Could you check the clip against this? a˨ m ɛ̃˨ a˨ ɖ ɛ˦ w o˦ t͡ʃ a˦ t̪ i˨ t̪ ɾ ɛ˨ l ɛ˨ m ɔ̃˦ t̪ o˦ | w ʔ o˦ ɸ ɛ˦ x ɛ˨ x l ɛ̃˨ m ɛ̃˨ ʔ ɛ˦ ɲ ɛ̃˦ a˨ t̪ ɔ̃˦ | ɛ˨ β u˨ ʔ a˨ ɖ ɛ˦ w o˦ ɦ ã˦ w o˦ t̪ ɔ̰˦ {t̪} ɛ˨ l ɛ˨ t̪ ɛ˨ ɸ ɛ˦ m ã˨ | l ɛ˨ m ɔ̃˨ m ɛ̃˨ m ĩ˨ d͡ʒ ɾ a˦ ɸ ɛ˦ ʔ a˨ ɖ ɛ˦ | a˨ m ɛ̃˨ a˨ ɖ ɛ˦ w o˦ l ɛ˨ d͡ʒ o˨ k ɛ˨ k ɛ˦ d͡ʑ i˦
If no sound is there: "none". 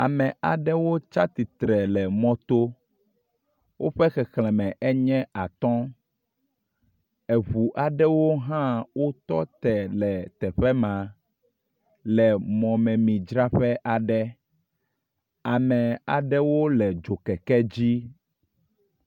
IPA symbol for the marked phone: t̪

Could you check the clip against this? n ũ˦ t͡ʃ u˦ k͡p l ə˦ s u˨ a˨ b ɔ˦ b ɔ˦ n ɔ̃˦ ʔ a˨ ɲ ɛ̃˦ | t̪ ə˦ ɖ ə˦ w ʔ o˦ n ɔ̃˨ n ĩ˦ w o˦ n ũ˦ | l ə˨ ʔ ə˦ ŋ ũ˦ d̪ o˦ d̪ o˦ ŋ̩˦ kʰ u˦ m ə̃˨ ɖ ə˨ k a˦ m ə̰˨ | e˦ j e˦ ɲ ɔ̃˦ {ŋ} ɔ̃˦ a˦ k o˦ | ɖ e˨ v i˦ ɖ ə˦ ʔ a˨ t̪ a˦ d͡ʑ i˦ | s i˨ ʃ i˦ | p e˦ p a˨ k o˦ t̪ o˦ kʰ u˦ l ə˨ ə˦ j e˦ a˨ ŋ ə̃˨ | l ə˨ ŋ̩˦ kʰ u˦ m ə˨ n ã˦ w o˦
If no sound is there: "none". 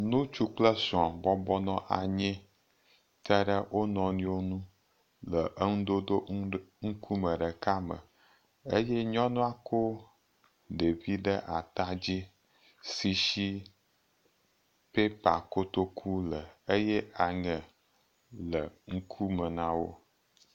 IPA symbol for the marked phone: n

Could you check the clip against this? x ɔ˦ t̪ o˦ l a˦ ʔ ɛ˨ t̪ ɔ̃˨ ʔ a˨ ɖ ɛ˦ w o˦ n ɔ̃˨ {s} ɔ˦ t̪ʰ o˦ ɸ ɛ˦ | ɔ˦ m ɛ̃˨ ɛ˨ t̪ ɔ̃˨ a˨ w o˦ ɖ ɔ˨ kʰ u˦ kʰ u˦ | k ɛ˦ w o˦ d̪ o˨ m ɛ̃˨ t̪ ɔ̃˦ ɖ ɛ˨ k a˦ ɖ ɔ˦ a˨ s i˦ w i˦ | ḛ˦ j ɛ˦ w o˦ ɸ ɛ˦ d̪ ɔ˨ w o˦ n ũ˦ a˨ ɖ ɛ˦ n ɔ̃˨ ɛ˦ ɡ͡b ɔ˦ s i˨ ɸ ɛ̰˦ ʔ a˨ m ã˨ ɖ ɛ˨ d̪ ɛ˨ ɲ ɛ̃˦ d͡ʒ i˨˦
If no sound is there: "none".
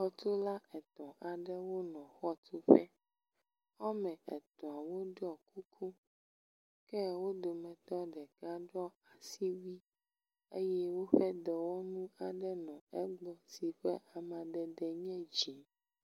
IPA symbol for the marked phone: x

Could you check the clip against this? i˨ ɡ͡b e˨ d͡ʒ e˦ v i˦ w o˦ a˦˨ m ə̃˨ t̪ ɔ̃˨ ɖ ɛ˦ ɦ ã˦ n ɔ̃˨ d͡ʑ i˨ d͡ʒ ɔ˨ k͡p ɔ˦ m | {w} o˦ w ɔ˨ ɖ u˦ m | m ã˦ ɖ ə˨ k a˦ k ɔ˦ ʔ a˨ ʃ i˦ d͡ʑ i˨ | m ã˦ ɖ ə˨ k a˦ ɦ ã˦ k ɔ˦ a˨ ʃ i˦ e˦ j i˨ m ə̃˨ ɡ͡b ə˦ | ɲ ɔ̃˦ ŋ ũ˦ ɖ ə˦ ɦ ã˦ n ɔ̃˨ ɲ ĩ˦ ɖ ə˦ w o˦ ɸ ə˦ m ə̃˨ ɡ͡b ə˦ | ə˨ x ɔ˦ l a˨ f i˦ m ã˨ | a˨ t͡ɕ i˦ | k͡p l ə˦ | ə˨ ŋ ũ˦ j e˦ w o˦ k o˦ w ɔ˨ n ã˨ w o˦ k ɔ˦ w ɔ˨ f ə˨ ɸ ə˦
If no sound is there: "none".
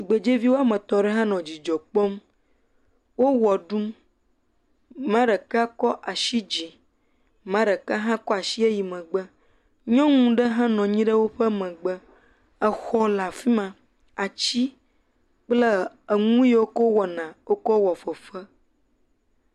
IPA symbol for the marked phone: w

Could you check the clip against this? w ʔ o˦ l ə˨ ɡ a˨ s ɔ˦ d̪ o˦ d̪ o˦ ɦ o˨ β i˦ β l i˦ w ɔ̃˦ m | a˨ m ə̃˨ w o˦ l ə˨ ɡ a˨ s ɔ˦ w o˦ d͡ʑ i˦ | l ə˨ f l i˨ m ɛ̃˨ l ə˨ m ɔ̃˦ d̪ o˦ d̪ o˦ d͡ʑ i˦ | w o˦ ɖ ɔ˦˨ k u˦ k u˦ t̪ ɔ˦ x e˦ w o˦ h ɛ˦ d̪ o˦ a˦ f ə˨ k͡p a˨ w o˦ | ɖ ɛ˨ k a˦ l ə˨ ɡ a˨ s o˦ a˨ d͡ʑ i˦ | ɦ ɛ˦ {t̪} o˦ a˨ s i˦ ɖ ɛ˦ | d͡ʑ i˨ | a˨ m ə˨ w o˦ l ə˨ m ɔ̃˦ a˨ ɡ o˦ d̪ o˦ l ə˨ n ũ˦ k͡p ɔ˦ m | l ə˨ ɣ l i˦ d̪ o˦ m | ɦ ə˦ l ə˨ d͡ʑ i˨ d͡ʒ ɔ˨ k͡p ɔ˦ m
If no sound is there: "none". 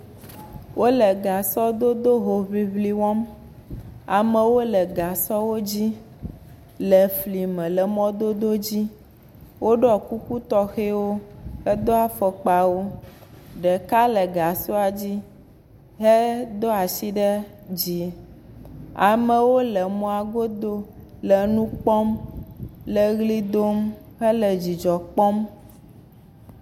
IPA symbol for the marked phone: d̪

